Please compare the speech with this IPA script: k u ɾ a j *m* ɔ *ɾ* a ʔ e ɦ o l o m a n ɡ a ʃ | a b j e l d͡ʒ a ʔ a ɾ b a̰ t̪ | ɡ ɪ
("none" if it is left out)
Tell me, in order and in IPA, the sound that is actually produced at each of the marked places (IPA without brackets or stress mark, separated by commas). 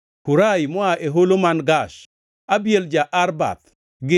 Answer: m, none